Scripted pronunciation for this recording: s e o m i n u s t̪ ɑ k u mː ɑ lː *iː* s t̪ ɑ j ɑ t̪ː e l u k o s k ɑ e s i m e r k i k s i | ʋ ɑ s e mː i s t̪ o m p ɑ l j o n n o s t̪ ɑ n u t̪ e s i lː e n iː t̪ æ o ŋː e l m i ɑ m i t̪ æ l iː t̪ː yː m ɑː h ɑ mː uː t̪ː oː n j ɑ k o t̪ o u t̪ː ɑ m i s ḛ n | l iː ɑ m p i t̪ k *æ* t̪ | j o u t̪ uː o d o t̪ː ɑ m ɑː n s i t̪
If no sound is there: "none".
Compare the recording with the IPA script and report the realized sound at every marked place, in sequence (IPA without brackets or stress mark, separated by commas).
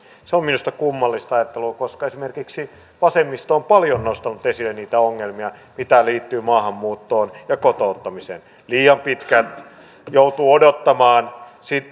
i, æ